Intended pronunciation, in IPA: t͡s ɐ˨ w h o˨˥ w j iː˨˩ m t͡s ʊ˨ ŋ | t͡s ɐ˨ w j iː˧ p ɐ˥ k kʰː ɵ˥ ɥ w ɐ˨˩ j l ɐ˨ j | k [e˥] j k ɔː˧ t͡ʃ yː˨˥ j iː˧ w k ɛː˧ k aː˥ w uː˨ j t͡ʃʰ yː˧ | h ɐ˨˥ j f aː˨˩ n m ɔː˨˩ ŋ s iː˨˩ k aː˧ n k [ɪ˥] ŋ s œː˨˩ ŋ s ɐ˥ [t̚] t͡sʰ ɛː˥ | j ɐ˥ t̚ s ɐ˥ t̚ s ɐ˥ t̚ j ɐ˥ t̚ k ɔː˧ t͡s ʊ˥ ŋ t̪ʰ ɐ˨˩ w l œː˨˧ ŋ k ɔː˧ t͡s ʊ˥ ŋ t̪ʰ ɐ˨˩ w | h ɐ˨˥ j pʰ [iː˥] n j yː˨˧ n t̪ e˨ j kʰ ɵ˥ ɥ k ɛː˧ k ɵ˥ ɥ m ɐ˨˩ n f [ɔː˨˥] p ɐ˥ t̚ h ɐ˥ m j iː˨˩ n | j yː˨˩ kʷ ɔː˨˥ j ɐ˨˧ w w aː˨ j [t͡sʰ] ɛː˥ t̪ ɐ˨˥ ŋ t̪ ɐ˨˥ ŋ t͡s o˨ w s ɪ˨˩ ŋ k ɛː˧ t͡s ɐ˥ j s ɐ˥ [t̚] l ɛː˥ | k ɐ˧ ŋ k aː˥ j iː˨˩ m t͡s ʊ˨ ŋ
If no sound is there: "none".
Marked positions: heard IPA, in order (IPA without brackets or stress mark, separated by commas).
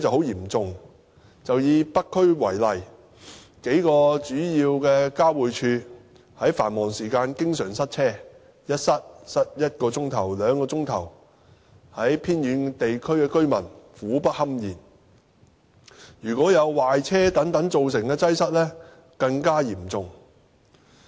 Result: e˨˥, ɪ˥, t̚, iː˥, uː˨˥, t͡sʰ, t̚